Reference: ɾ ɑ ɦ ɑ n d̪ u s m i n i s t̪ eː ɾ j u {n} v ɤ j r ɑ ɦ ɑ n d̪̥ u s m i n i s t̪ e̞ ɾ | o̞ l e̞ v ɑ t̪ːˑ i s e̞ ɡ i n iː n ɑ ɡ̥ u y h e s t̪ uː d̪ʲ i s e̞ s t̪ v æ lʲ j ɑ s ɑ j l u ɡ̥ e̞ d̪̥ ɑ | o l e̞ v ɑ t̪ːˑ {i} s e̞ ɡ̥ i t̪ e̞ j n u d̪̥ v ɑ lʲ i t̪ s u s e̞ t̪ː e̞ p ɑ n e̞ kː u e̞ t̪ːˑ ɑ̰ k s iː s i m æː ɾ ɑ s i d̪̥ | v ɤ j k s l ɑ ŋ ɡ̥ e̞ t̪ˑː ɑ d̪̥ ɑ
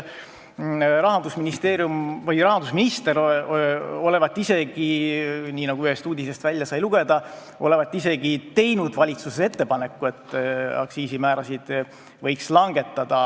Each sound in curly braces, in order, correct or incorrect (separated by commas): incorrect, correct